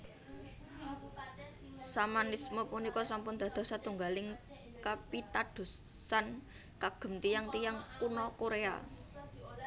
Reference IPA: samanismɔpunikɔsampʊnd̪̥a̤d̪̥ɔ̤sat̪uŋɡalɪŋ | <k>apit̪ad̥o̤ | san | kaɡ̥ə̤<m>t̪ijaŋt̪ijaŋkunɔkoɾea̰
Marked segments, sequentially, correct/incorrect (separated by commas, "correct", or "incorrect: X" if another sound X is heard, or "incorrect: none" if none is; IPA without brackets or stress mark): correct, correct